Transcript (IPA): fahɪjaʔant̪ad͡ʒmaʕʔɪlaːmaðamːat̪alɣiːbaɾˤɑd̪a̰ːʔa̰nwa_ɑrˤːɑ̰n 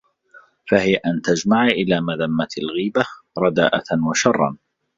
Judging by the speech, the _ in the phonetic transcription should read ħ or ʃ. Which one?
ʃ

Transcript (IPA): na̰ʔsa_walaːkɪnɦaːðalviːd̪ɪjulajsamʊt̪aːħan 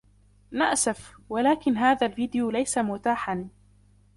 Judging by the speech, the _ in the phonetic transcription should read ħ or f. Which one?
f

